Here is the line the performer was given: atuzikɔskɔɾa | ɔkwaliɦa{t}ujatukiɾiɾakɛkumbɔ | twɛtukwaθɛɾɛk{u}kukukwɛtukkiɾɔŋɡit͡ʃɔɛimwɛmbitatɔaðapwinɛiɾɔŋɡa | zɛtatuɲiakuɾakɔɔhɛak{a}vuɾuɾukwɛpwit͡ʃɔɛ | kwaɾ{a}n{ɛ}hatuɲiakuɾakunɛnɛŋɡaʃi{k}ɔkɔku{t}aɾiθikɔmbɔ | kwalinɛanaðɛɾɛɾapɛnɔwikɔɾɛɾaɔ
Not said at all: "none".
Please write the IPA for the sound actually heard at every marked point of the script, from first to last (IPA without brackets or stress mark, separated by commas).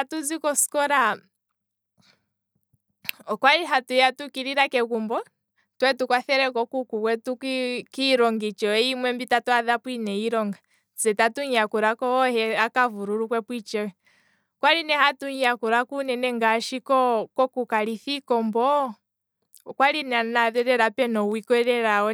t, ɔ, a, i, ɛ, k, k